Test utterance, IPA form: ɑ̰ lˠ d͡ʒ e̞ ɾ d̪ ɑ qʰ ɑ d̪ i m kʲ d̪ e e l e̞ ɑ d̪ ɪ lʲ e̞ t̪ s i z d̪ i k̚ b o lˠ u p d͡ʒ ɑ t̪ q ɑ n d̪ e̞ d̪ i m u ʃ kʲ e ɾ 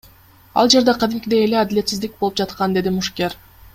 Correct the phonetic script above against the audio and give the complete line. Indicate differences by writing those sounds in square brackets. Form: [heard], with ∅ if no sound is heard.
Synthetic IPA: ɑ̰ lˠ d͡ʒ e̞ ɾ d̪ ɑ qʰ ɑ d̪ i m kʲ d̪ e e l e̞ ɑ d̪ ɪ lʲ e̞ t̪ s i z d̪ i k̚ b o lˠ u p d͡ʒ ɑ t̪ q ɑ n d̪ e̞ d̪ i m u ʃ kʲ e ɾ